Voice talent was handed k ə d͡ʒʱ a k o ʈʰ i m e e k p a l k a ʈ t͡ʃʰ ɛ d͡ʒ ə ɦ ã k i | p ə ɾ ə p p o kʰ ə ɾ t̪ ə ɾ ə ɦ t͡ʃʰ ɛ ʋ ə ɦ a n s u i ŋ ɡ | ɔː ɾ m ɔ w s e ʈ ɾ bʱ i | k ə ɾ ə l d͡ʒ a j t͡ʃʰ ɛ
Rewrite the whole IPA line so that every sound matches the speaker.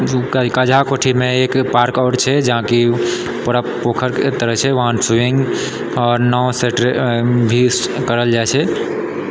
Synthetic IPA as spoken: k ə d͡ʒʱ a k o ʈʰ i m e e k p a ɾ k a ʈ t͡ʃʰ ɛ d͡ʒ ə ɦ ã k i | p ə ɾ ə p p o kʰ ə ɾ t̪ ə ɾ ə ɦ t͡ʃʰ ɛ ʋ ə ɦ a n s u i ŋ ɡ | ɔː ɾ n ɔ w s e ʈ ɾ bʱ i | k ə ɾ ə l d͡ʒ a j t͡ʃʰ ɛ